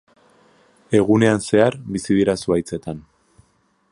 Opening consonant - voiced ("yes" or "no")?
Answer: yes